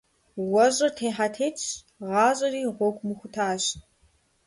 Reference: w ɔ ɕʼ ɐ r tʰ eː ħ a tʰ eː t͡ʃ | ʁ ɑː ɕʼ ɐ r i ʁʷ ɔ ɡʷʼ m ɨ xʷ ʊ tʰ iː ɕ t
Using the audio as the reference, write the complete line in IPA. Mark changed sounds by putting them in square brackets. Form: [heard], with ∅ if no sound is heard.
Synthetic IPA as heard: w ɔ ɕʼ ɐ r tʰ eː ħ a tʰ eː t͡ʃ | ʁ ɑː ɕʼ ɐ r [iː] ʁʷ ɔ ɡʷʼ m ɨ xʷ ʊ tʰ [aː] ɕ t